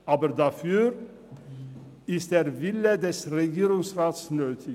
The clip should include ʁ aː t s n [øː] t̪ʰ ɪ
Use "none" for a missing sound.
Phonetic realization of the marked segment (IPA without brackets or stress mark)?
øː